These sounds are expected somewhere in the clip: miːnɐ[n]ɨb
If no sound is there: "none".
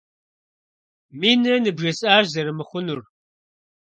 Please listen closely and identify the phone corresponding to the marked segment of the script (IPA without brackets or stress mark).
n